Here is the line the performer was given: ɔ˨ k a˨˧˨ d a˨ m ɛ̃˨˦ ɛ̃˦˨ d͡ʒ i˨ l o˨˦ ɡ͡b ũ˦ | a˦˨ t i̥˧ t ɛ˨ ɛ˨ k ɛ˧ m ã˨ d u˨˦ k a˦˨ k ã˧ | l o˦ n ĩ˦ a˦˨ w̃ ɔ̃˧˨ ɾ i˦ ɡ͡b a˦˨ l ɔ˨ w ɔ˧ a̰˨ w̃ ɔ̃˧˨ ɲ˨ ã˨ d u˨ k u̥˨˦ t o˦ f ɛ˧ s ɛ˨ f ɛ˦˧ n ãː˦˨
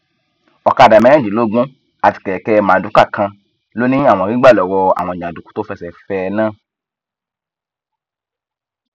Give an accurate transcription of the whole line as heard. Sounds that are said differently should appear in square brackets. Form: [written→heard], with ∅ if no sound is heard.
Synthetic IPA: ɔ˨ k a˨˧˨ d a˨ m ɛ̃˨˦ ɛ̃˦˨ d͡ʒ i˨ l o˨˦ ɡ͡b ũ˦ | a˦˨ t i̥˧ [t→k] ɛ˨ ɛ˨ k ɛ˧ m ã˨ d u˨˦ k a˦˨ k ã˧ | l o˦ n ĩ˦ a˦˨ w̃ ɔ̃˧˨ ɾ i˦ ɡ͡b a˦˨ l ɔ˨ w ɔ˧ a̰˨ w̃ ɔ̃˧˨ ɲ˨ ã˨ d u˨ k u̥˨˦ t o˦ f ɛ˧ s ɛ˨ f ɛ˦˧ n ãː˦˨